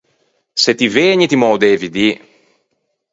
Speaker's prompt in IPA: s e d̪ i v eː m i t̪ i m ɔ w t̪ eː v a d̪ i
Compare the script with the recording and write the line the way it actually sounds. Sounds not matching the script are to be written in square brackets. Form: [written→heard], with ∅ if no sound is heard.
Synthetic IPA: s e [d̪→t̪] i v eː [m→ɲ] i t̪ i m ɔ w [t̪→d̪] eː v [a→i] d̪ i